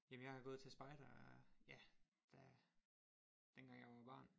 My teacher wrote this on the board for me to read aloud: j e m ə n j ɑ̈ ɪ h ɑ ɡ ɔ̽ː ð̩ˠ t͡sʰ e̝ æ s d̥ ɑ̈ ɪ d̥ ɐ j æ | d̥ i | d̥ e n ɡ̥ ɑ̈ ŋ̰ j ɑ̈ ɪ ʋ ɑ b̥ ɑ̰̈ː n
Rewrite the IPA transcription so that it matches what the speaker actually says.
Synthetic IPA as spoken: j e m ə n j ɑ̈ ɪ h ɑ ɡ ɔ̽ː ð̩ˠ t͡sʰ e̝ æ s b̥ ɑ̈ ɪ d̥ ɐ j æ | d̥ æ | d̥ e n ɡ̥ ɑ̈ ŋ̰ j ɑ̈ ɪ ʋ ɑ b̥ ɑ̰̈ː n